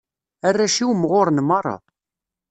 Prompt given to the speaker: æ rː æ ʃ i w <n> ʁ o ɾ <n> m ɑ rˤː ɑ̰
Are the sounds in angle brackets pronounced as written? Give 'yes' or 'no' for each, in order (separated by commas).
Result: no, yes